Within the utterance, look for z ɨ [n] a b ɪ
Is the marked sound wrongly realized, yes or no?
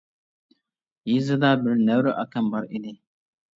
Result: yes